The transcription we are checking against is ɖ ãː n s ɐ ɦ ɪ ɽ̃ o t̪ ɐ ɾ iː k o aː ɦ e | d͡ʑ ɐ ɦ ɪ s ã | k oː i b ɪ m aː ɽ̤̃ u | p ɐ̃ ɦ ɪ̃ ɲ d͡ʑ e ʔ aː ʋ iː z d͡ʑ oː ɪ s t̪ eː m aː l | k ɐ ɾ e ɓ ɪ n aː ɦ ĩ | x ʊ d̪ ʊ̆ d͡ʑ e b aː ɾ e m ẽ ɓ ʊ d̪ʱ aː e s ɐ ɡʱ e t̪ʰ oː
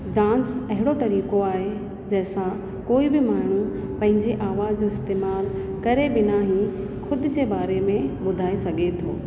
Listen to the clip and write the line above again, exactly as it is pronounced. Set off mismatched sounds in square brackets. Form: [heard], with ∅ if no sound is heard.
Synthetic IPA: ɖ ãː n s ɐ ɦ ɪ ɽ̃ o t̪ ɐ ɾ iː k o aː ɦ e | d͡ʑ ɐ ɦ ɪ s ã | k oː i b ɪ m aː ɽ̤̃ u | p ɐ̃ ɦ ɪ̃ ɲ d͡ʑ e ʔ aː ʋ [aː] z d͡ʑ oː ɪ s t̪ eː m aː l | k ɐ ɾ e [b] ɪ n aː ɦ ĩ | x ʊ d̪ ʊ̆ d͡ʑ e b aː ɾ e m ẽ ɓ ʊ d̪ʱ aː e s ɐ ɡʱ e t̪ʰ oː